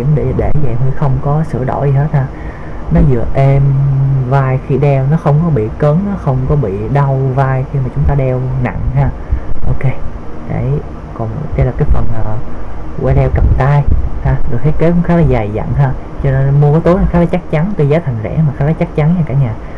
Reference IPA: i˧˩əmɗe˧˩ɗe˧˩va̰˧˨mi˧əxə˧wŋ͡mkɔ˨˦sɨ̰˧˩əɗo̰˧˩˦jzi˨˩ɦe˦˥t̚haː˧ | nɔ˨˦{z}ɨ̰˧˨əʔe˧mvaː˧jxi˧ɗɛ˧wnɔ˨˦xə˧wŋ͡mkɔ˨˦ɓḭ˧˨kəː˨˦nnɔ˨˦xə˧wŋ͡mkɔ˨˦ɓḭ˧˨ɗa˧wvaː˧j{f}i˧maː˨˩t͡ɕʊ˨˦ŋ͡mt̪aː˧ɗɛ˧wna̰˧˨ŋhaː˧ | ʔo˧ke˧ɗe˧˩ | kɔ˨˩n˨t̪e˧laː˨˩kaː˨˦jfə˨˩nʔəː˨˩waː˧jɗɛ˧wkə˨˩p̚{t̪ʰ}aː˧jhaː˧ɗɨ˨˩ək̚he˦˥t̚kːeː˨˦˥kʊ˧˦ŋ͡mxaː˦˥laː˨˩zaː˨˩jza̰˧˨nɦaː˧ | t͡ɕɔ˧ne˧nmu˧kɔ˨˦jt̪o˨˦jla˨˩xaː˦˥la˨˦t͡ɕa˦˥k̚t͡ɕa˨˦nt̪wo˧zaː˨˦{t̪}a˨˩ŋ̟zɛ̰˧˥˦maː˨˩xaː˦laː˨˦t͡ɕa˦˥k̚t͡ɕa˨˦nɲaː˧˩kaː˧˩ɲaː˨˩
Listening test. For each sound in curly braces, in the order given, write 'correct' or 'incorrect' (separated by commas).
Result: correct, incorrect, incorrect, incorrect